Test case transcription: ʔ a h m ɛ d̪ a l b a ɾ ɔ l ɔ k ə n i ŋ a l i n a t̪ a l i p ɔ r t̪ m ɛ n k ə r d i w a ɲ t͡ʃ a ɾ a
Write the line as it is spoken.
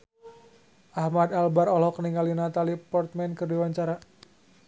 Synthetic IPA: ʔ a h m a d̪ a l b a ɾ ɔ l ɔ k ə n i ŋ a l i n a t̪ a l i p ɔ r t̪ m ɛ n k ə r d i w a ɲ t͡ʃ a ɾ a

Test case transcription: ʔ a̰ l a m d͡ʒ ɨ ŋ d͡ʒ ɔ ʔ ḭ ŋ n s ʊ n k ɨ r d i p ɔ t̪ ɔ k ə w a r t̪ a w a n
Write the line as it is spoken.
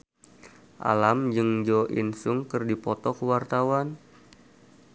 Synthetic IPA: ʔ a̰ l a m d͡ʒ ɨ ŋ d͡ʒ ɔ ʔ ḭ n s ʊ ŋ k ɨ r d i p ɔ t̪ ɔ k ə w a r t̪ a w a n

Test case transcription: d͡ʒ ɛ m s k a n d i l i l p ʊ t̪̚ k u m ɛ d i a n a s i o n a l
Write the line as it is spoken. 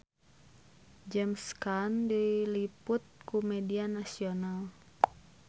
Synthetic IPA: d͡ʒ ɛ m s k a n d i l i p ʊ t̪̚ k u m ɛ d i a n a s i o n a l

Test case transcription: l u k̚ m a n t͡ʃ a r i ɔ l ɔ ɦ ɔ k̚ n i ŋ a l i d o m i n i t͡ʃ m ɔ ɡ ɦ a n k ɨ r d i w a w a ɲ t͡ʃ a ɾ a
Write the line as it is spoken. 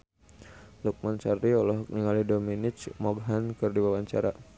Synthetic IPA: l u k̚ m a n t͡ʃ a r i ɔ l ɔ ɦ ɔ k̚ n i ŋ a l i d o m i n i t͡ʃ m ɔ ɡ ɦ a n k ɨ r d i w a w a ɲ t͡ʃ a ɾ a

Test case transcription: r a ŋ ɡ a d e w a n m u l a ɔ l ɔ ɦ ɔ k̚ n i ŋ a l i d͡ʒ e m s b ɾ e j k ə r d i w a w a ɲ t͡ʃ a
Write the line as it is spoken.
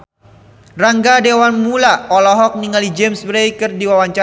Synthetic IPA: r a ŋ ɡ a d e w a n m u l a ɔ l ɔ ɦ ɔ k̚ n i ŋ a l i d͡ʒ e m s b ɾ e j k ə r d i w a w a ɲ t͡ʃ a

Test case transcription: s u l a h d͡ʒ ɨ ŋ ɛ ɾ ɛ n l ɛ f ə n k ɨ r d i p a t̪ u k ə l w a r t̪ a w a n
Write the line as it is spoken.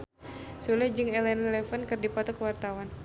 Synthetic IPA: s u l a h d͡ʒ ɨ ŋ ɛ l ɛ n l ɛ f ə n k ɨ r d i p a t̪ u k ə w a r t̪ a w a n

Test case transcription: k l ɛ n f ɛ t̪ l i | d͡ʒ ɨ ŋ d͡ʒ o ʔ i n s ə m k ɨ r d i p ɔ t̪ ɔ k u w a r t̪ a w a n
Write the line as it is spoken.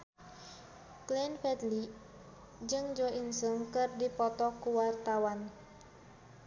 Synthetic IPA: k l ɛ n f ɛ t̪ l i | d͡ʒ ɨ ŋ d͡ʒ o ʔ i n s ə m k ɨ r d i p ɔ t̪ ɔ k u w a r t̪ a w a n

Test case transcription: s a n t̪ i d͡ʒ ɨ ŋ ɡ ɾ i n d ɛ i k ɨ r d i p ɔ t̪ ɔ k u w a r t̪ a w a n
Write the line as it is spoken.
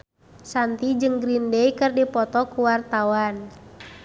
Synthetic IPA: s a n t̪ i d͡ʒ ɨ ŋ ɡ ɾ i n d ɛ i k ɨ r d i p ɔ t̪ ɔ k u w a r t̪ a w a n

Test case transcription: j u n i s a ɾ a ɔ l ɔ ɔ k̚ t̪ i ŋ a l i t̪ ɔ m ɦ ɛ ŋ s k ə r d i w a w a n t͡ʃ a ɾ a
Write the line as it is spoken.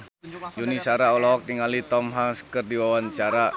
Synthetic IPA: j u n i s a ɾ a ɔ l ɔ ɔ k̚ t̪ i ŋ a l i t̪ ɔ m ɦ a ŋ s k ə r d i w a w a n t͡ʃ a ɾ a

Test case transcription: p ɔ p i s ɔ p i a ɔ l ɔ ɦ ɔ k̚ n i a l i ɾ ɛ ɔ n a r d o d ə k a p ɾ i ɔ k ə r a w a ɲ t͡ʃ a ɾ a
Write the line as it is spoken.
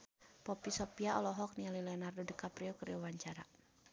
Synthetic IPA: p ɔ p i s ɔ p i a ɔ l ɔ ɦ ɔ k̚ n i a l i l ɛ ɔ n a r d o d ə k a p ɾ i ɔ k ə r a w a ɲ t͡ʃ a ɾ a

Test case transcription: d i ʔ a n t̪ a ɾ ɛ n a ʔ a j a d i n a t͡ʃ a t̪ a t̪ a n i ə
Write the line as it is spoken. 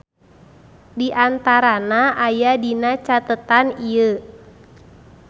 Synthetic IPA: d i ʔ a n t̪ a ɾ a n a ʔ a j a d i n a t͡ʃ a t̪ ə t̪ a n i ə

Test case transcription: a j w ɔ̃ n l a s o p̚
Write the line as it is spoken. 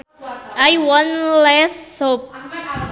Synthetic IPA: a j w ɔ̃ n l ɛ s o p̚

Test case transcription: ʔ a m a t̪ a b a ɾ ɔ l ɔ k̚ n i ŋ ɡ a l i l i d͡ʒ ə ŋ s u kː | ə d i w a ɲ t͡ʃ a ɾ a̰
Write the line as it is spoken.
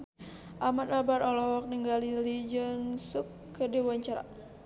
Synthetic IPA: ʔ a m a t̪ a b a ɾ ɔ l ɔ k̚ n i ŋ ɡ a l i l i d͡ʒ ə n s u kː | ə d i w a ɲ t͡ʃ a ɾ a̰

